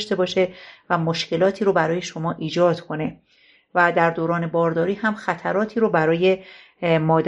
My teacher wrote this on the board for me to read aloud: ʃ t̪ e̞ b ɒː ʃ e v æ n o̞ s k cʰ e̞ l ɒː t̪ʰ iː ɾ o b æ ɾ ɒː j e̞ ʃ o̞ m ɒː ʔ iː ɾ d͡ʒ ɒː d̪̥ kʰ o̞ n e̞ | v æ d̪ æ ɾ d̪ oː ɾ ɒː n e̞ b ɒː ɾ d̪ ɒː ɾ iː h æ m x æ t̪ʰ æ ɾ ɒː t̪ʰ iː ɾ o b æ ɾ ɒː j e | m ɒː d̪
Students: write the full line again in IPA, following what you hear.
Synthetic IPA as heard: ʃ t̪ e̞ b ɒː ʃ e v æ m o̞ ʃ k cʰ e̞ l ɒː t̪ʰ iː ɾ o b æ ɾ ɒː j e̞ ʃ o̞ m ɒː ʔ iː d͡ʒ ɒː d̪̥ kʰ o̞ n e̞ | v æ d̪ æ ɾ d̪ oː ɾ ɒː n e̞ b ɒː ɾ d̪ ɒː ɾ iː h æ m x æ t̪ʰ æ ɾ ɒː t̪ʰ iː ɾ o b æ ɾ ɒː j e | m ɒː d̪